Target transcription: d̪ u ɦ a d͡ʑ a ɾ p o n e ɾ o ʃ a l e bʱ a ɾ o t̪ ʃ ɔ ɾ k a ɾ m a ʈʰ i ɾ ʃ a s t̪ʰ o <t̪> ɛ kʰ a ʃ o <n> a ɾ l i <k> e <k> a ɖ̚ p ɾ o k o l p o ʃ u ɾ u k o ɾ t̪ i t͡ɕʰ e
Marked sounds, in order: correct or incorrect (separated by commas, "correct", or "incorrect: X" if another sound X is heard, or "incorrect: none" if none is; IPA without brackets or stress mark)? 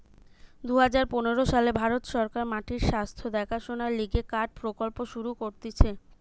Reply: incorrect: d̪, correct, incorrect: ɡ, correct